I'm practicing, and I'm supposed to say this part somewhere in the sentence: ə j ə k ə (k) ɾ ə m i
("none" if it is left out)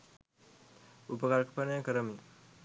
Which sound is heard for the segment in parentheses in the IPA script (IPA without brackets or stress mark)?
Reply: none